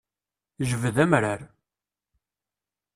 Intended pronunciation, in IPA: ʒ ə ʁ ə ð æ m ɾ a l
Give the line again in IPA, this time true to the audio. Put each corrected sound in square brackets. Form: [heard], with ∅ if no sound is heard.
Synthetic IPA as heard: ʒ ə [v] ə ð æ m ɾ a [ɾ]